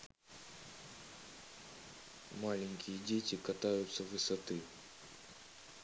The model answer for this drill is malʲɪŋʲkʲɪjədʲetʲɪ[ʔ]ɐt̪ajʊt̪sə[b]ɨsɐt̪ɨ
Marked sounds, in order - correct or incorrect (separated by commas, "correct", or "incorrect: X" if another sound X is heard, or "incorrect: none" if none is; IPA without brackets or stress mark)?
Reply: incorrect: k, incorrect: v